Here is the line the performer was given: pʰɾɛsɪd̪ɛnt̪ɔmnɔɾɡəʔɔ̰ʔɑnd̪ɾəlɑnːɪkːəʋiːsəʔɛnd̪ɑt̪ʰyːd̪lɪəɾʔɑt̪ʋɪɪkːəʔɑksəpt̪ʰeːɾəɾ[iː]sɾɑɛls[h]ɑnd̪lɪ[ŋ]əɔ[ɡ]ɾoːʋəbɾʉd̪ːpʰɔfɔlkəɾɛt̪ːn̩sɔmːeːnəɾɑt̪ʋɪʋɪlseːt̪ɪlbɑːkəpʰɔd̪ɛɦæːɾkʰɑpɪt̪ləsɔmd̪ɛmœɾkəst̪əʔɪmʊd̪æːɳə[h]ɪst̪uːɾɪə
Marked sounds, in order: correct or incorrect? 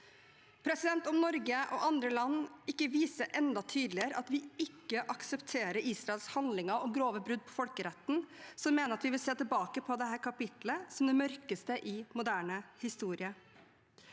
correct, correct, correct, correct, correct

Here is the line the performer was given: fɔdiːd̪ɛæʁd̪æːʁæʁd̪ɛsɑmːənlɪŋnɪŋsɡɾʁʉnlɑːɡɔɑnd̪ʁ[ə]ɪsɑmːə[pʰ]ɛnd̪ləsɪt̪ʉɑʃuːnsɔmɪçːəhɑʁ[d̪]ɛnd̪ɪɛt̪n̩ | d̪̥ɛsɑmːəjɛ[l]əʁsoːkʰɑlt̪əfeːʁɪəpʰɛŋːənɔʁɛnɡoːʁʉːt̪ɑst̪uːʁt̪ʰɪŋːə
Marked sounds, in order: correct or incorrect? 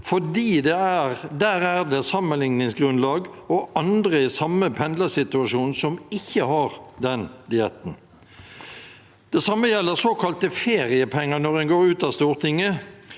correct, correct, correct, incorrect: lː

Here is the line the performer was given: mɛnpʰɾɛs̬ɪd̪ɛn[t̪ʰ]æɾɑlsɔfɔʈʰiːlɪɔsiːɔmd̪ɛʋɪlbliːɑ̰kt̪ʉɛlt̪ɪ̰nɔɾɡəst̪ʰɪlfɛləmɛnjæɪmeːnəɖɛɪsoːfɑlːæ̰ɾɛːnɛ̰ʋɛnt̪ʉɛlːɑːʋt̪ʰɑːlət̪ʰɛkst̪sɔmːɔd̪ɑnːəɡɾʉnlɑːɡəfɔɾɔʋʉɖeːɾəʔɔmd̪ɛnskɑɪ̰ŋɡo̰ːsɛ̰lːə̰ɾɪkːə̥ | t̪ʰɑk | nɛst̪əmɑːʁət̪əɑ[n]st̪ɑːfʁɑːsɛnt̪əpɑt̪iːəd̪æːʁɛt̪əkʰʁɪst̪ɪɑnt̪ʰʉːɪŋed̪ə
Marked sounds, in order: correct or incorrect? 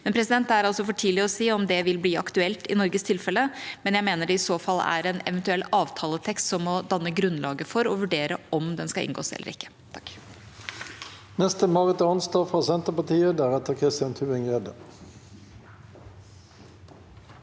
incorrect: t̪, correct

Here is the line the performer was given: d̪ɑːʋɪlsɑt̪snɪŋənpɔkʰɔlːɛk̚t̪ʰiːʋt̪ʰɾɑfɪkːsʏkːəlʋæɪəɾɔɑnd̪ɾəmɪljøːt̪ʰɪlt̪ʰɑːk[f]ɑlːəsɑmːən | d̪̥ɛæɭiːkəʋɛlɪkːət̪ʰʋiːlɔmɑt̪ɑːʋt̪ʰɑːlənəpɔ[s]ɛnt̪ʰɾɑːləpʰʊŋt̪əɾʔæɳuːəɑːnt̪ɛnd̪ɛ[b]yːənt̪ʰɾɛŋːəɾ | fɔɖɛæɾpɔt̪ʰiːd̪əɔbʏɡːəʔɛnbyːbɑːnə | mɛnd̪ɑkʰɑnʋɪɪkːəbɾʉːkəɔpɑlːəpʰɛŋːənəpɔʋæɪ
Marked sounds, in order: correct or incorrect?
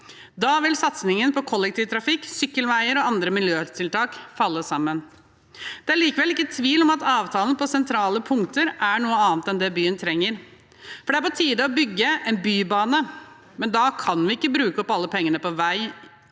correct, correct, correct

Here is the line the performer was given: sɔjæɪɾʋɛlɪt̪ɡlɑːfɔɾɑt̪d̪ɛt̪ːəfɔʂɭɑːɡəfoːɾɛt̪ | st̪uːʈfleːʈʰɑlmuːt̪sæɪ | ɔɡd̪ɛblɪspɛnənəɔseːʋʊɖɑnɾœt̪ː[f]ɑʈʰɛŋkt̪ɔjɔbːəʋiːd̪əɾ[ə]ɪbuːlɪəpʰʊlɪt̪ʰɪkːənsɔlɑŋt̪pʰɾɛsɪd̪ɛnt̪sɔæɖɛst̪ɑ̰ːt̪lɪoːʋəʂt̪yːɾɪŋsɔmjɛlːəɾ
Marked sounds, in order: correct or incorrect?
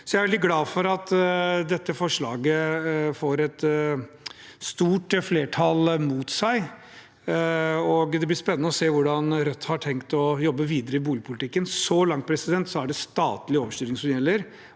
incorrect: h, correct

